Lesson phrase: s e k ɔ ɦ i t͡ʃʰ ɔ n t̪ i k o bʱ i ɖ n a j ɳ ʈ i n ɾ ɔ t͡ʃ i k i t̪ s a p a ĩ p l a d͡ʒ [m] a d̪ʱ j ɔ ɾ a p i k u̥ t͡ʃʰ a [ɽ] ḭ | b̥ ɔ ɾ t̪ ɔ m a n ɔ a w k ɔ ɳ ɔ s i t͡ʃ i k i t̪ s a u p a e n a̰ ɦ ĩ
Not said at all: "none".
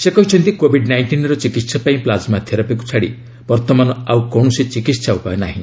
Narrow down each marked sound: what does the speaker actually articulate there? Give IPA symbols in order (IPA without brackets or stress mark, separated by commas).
m, ɽ